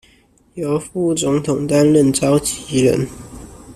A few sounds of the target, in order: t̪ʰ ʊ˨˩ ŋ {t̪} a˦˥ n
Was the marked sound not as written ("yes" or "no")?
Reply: no